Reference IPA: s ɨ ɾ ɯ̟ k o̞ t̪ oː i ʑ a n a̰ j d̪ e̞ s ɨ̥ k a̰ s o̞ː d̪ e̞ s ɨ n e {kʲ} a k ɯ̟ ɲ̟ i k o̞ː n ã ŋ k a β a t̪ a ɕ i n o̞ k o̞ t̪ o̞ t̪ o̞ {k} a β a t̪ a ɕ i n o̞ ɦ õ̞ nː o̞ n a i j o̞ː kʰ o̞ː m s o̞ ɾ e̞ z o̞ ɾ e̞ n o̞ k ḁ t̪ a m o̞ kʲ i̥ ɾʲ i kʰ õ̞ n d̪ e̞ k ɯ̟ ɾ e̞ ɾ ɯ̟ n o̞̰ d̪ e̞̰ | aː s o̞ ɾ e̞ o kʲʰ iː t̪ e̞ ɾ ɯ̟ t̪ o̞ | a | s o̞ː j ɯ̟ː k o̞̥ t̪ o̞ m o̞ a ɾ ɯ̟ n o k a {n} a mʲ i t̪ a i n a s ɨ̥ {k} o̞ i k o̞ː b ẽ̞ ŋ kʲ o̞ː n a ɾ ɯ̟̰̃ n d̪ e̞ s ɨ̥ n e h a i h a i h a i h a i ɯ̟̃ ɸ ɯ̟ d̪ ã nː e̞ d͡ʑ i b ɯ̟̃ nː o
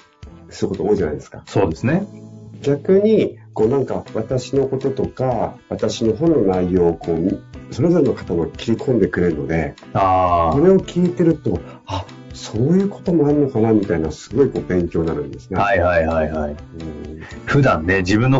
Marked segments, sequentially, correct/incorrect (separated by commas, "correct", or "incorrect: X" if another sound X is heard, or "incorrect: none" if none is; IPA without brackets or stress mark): incorrect: ɡʲ, correct, correct, incorrect: ɡ